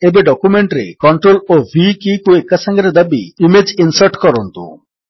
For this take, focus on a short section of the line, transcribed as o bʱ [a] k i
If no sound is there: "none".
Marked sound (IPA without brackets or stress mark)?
i